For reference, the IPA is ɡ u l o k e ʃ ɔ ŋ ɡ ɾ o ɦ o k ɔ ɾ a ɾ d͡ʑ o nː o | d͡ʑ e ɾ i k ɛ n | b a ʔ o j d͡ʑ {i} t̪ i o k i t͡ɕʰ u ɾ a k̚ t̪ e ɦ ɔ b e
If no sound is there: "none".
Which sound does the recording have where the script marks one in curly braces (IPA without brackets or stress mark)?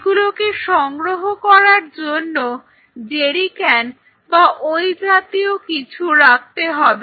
a